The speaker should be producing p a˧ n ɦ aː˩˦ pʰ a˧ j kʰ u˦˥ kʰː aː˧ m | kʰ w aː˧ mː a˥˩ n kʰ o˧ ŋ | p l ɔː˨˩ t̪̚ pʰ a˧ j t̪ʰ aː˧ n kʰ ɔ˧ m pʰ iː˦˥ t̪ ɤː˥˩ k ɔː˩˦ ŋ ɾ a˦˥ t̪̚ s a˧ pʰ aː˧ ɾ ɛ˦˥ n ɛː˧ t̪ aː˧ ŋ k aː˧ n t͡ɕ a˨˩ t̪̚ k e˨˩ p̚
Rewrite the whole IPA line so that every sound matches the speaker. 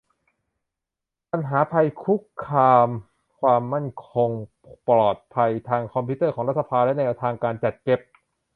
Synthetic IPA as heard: p a˧ n ɦ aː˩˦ pʰ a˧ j kʰ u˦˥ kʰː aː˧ m | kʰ w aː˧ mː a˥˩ n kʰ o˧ ŋ | p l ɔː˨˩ t̪̚ pʰ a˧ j t̪ʰ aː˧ ŋ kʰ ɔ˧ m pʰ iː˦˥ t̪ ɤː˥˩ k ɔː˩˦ ŋ ɾ a˦˥ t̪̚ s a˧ pʰ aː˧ l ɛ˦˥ n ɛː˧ t̪ʰ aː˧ ŋ k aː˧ n t͡ɕ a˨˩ t̪̚ k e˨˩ p̚